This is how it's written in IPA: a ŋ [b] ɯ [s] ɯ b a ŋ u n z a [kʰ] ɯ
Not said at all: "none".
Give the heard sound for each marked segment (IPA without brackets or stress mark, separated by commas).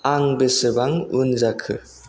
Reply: b, s, kʰ